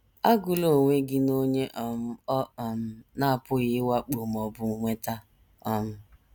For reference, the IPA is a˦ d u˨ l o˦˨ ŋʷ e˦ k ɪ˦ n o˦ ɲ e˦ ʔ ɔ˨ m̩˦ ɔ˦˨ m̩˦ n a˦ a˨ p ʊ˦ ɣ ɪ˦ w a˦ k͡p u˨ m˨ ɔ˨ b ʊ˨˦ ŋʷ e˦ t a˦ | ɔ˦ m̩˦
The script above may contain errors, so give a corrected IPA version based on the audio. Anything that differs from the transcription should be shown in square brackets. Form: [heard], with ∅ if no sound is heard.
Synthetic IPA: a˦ [ɡ] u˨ l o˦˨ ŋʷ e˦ [ɡ] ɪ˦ n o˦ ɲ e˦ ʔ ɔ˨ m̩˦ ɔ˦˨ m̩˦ n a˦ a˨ p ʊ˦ ɣ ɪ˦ w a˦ k͡p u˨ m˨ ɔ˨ b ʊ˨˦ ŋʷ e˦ t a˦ | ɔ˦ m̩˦

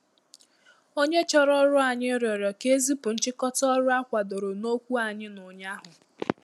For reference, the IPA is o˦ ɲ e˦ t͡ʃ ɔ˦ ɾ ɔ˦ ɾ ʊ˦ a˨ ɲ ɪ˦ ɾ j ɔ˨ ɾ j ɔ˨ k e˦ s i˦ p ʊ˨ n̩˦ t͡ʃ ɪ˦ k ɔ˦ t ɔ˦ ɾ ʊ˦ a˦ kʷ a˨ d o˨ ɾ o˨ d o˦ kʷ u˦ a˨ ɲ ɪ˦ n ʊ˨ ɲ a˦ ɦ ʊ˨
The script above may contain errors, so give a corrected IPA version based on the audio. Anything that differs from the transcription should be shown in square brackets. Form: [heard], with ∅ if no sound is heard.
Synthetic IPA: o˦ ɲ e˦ t͡ʃ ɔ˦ ɾ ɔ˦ ɾ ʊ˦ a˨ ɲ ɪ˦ ɾ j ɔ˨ ɾ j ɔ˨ k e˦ [z] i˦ p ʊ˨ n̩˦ t͡ʃ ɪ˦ k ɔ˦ t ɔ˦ ɾ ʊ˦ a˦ kʷ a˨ d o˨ ɾ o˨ [n] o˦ kʷ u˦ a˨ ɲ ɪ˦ n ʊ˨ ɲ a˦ ɦ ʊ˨

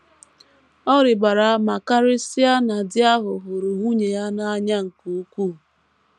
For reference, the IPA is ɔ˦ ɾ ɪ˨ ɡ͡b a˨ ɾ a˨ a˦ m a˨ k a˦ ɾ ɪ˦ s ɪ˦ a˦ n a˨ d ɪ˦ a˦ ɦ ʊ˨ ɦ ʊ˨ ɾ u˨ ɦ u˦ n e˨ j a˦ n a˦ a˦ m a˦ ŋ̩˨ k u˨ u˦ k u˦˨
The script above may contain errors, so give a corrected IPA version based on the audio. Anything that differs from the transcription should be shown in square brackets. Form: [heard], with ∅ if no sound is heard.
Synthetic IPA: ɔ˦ ɾ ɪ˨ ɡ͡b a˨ ɾ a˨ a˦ m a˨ k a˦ ɾ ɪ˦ s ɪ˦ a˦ n a˨ d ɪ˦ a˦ ɦ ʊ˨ ɦ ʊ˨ ɾ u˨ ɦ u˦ [ɲ] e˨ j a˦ n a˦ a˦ [ɲ] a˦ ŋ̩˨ k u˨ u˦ k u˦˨

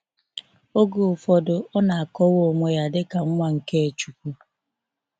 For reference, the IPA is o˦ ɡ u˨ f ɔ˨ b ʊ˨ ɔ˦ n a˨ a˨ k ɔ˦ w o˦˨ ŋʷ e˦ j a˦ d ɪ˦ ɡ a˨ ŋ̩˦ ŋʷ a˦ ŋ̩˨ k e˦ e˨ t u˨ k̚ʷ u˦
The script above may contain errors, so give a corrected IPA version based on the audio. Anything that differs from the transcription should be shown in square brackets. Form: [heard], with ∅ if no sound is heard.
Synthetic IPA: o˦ ɡ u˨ f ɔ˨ [d] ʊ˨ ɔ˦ n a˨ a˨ k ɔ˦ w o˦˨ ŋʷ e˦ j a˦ d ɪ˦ [k] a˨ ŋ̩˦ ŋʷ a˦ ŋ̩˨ k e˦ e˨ [t͡ʃ] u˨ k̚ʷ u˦

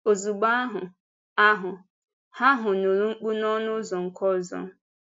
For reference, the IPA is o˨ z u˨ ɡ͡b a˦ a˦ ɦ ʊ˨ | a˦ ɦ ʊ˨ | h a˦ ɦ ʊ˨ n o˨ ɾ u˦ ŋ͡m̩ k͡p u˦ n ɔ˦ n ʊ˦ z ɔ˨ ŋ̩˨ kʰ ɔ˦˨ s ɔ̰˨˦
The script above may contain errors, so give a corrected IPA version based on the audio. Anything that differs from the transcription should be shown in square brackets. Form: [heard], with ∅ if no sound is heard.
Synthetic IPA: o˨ z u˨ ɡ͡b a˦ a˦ ɦ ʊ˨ | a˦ ɦ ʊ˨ | h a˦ ɦ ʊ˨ n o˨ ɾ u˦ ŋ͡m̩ k͡p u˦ n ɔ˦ n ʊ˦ z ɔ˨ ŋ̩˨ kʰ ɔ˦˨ [z] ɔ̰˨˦

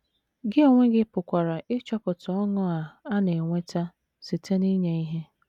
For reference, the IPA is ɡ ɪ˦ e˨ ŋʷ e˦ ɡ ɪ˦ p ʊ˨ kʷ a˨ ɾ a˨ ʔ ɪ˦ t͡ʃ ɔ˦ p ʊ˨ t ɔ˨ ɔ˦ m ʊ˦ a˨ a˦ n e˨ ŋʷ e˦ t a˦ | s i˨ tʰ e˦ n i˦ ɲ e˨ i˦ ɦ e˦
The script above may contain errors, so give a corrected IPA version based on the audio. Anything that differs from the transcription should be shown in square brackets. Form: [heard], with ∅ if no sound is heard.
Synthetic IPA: ɡ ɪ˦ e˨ ŋʷ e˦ ɡ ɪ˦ p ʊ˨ kʷ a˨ ɾ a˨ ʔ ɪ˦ t͡ʃ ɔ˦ p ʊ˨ t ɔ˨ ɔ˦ [ŋ] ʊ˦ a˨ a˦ n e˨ ŋʷ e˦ t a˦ | s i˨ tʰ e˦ n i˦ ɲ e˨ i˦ ɦ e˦

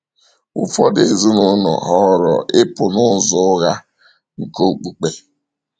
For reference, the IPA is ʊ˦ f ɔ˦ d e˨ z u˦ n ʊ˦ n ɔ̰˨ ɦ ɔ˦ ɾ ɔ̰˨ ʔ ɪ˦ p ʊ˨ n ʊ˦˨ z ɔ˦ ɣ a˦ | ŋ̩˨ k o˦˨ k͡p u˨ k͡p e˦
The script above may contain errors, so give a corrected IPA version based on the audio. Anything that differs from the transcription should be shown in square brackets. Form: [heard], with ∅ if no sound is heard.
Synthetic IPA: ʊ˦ f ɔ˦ d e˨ z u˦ n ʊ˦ n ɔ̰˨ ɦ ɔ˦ ɾ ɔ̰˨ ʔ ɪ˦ p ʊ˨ n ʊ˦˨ z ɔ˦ ɣ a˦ | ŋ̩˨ k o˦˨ k͡p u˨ k͡p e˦

